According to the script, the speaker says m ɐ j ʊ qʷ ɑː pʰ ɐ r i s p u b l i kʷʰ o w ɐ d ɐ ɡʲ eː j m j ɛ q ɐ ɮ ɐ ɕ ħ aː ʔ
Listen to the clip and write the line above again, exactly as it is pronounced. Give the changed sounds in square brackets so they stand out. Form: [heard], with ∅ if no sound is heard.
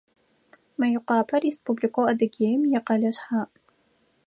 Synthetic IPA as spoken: m ɐ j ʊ qʷ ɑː pʰ ɐ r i s p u b l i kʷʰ o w ɐ d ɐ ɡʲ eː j m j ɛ q ɐ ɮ ɐ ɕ ħ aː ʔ